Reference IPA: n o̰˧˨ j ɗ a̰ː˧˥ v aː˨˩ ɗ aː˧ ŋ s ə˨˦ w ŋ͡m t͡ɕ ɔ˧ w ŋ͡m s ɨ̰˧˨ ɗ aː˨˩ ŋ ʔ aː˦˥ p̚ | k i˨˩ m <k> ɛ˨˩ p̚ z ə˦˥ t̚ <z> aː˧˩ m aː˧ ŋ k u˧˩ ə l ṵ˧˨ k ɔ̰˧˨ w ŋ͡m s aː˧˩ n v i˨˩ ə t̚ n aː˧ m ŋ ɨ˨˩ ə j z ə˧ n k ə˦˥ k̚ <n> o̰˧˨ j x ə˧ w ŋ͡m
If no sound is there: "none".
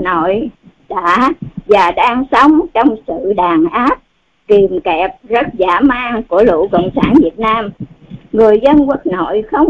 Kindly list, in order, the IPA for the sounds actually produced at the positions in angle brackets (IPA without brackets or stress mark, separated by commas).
k, z, n